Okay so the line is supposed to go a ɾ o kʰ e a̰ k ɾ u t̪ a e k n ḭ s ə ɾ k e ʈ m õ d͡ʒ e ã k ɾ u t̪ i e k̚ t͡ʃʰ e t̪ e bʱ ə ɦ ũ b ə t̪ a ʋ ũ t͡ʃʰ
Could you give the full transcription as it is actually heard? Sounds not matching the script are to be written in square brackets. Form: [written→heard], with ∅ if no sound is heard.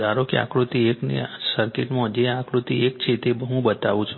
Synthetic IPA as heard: a ɾ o [kʰ→k] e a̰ k ɾ u t̪ [a→i] e k n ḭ s ə ɾ k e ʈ m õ d͡ʒ e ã k ɾ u t̪ i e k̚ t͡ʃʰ e t̪ e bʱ ə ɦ ũ b ə t̪ a ʋ ũ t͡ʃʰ